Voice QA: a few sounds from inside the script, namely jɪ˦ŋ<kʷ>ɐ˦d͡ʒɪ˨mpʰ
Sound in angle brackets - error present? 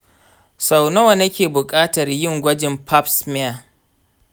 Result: yes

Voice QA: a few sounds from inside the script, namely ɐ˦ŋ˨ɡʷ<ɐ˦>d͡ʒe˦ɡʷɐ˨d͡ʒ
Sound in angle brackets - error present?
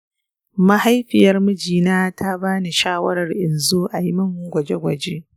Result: yes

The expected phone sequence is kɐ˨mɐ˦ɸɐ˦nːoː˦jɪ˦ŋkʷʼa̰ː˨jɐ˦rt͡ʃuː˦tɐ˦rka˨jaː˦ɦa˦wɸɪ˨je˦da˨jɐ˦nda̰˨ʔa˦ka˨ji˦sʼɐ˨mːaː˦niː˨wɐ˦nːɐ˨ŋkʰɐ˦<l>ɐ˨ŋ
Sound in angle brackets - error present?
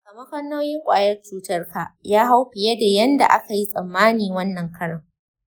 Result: yes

